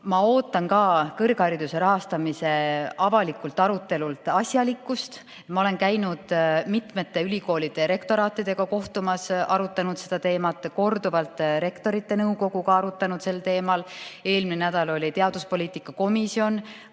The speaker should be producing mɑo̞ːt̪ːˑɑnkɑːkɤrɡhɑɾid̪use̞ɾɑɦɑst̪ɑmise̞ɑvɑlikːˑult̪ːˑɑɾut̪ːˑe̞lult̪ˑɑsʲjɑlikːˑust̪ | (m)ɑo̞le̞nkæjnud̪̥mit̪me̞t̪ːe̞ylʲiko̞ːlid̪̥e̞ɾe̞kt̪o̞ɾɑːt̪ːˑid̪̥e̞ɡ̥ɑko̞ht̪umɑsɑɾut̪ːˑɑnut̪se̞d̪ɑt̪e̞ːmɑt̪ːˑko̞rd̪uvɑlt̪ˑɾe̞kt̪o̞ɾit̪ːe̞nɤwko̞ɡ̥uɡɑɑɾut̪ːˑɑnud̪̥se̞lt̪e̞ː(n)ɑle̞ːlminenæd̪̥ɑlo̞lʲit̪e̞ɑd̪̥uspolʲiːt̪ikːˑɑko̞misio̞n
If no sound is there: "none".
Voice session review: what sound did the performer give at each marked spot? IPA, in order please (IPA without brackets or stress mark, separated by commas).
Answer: m, m